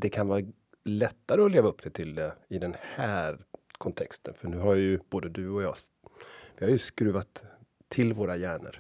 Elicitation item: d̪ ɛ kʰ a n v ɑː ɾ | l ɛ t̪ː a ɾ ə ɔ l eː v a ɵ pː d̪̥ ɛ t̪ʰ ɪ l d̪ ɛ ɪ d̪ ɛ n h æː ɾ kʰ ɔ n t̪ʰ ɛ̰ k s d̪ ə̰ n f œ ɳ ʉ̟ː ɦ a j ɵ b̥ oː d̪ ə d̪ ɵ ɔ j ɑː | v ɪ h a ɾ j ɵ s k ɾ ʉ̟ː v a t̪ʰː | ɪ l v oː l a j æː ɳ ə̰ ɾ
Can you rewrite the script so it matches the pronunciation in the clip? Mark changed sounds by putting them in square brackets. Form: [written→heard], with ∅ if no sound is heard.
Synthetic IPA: d̪ ɛ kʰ a n v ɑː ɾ | l ɛ t̪ː a ɾ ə ɔ l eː v a ɵ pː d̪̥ ɛ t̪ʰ ɪ l d̪ ɛ ɪ d̪ ɛ n h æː ɾ kʰ ɔ n t̪ʰ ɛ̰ k s [d̪→t̪] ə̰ n f œ ɳ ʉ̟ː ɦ a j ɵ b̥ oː d̪ ə d̪ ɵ ɔ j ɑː | v ɪ h a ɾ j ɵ s k ɾ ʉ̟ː v a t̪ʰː | ɪ l v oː [l→ɾ] a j æː ɳ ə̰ ɾ